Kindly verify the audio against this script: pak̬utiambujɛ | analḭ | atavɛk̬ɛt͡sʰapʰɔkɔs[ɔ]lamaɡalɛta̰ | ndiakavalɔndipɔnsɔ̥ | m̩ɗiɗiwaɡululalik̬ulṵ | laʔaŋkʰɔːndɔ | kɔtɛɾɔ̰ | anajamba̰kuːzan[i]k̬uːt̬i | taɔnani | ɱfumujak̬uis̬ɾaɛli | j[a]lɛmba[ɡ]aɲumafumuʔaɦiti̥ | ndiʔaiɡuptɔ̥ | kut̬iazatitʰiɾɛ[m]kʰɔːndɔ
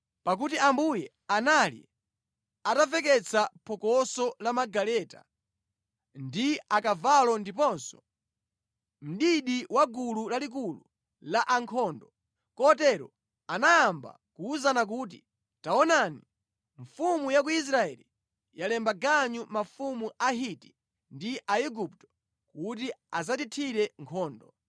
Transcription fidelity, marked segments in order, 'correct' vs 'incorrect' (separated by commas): correct, incorrect, correct, correct, incorrect